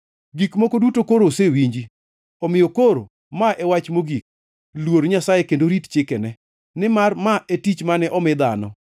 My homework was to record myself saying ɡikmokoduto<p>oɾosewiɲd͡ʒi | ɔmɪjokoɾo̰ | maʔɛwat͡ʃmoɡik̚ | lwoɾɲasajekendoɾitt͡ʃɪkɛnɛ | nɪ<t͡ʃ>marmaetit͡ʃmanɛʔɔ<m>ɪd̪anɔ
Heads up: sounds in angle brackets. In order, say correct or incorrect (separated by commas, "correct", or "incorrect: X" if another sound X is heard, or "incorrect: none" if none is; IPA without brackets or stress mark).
incorrect: k, incorrect: none, correct